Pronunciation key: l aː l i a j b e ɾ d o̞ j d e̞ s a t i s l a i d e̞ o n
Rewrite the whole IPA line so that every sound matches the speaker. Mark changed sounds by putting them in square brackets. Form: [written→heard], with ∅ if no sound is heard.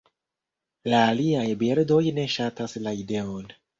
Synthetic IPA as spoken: l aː l i a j b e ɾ d o̞ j [d→n] e̞ [s→ʃ] a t [i→a] s l a i d e̞ o n